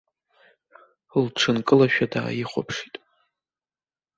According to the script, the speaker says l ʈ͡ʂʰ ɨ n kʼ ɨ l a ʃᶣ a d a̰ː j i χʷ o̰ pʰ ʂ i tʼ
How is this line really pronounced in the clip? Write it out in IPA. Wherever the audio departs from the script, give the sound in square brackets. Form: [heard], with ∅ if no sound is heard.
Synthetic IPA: l ʈ͡ʂʰ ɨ n kʼ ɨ l a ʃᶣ a d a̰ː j i χʷ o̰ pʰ ʂ i tʼ